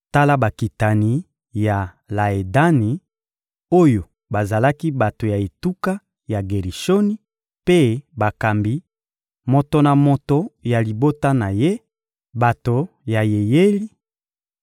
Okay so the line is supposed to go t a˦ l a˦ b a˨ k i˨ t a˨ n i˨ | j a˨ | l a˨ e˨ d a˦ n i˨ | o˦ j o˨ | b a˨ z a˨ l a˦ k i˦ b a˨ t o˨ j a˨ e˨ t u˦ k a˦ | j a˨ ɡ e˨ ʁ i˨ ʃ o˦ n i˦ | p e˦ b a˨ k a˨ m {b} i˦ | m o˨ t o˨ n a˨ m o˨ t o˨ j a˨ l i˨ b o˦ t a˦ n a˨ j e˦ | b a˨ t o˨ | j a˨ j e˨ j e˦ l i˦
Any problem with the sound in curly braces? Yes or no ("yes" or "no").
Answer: no